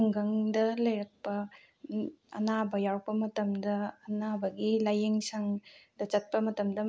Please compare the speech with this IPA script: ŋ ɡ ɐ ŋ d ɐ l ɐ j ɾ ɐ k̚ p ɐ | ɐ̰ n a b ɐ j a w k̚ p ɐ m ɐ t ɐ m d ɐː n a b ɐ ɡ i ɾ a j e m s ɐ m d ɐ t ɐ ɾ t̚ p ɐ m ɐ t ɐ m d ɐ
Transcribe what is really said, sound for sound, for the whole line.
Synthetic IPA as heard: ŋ ɡ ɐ ŋ d ɐ l ɐ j ɾ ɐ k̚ p ɐ | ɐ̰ n a b ɐ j a w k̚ p ɐ m ɐ t ɐ m d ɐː n a b ɐ ɡ i l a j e ŋ s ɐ ŋ d ɐ t͡ʃ ɐ t̚ p ɐ m ɐ t ɐ m d ɐ